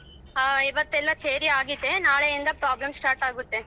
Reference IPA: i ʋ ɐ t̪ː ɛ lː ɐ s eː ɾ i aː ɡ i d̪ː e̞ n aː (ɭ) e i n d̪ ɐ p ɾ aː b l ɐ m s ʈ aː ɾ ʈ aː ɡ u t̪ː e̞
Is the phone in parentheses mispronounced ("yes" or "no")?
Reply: no